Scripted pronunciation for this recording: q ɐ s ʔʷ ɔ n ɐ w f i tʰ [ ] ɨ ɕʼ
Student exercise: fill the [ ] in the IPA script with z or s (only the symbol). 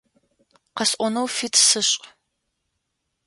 s